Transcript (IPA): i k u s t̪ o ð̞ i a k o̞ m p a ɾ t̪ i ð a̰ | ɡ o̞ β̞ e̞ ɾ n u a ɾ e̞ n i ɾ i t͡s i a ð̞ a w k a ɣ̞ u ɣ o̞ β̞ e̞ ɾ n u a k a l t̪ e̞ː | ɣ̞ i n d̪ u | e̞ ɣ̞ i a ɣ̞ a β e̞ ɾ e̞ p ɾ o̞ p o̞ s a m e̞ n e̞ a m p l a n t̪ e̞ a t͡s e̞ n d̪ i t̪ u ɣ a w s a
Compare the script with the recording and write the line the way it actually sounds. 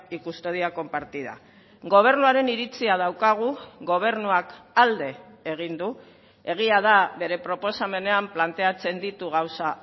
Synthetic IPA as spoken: i k u s t̪ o ð̞ i a k o̞ m p a ɾ t̪ i ð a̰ | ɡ o̞ β̞ e̞ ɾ n u a ɾ e̞ n i ɾ i t͡s i a ð̞ a w k a ɣ̞ u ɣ o̞ β̞ e̞ ɾ n u a k a l d̪ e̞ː | ɣ̞ i n d̪ u | e̞ ɣ̞ i a ð̞ a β e̞ ɾ e̞ p ɾ o̞ p o̞ s a m e̞ n e̞ a m p l a n t̪ e̞ a t͡s e̞ n d̪ i t̪ u ɣ a w s a